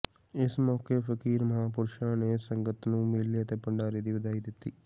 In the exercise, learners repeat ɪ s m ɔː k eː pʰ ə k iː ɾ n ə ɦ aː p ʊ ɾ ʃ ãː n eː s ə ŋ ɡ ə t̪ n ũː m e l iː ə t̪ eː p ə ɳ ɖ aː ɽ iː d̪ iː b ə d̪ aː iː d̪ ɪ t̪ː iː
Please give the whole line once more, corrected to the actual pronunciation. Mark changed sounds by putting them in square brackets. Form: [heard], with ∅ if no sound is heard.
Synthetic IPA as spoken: ɪ s m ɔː k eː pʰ ə k iː ɾ [m] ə ɦ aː p ʊ ɾ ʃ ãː n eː s ə ŋ ɡ ə t̪ n ũː m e l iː ə t̪ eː p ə ɳ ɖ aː [ɾ] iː d̪ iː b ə d̪ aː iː d̪ ɪ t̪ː iː